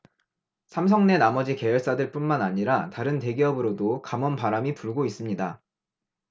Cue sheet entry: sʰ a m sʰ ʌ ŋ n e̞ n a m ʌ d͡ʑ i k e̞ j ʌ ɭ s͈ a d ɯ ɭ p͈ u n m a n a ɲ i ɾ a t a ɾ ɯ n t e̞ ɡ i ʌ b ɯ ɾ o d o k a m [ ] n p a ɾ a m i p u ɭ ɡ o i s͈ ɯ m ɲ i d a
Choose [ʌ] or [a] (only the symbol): ʌ